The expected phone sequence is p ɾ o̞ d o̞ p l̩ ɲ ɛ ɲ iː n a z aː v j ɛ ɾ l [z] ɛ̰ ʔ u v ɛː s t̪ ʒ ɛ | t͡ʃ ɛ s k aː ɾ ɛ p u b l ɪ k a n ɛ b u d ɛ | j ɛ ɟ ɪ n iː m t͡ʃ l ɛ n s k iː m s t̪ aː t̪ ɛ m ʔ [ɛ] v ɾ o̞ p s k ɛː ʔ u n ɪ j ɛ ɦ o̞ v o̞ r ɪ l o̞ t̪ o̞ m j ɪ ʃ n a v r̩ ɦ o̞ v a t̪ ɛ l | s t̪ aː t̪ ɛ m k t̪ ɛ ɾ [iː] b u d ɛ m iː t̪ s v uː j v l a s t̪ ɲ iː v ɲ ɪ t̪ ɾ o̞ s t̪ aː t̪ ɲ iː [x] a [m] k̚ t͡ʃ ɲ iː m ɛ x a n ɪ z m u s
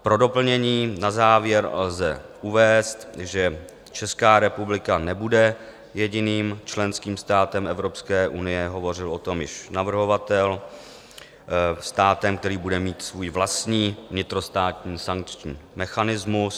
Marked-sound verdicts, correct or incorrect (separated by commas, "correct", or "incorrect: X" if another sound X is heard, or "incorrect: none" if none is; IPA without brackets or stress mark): correct, correct, correct, incorrect: s, incorrect: ŋ